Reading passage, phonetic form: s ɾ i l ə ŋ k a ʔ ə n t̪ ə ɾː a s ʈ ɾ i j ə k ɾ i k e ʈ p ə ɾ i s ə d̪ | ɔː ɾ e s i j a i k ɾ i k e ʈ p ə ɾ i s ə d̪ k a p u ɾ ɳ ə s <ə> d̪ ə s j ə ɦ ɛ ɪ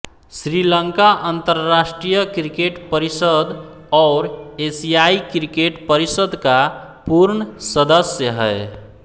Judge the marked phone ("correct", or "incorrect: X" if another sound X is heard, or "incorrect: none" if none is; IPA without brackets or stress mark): correct